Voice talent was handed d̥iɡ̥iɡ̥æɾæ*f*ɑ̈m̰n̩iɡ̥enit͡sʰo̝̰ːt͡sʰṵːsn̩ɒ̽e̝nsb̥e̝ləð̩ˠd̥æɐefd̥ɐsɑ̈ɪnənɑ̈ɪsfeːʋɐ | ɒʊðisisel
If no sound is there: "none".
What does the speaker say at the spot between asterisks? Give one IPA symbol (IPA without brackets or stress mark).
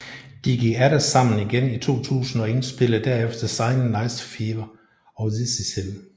s